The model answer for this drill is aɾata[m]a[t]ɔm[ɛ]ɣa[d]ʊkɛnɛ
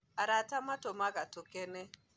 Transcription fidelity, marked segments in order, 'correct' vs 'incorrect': correct, correct, incorrect: a, incorrect: t

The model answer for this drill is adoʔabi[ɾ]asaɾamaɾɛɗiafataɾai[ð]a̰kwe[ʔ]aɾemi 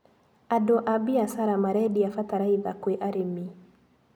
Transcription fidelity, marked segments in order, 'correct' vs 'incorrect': incorrect: none, correct, correct

